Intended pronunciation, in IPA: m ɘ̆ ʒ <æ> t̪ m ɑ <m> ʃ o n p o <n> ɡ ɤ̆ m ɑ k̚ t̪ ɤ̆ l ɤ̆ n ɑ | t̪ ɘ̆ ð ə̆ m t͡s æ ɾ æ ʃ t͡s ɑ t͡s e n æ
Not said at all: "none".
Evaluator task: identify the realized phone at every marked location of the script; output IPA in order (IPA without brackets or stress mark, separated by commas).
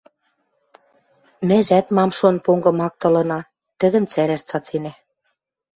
æ, m, ŋ